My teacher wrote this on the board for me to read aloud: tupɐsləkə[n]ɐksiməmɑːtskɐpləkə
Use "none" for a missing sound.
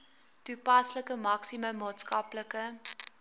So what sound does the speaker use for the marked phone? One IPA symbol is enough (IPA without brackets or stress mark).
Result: m